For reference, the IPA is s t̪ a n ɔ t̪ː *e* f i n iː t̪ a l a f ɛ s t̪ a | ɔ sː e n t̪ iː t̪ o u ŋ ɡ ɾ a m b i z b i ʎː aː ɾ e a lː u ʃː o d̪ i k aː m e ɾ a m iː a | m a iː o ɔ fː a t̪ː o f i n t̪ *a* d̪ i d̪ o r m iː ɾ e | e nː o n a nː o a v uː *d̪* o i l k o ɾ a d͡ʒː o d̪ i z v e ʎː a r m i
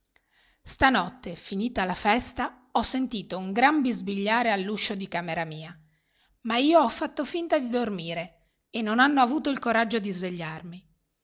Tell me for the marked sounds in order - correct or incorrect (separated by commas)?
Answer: correct, correct, incorrect